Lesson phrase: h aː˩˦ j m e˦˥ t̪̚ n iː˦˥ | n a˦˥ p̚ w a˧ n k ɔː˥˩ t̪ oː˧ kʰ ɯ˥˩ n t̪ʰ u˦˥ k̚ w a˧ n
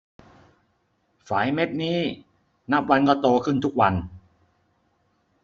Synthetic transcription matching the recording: f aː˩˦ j m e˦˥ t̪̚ n iː˦˥ | n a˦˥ p̚ w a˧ n k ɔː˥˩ t̪ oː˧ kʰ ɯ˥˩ n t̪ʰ u˦˥ k̚ w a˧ n